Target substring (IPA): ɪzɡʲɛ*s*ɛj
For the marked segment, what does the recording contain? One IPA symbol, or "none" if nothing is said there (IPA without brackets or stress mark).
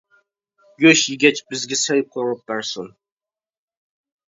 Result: s